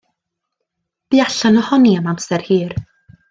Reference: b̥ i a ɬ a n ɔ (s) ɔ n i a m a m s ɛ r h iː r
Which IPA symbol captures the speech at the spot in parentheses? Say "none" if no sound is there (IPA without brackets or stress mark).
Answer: h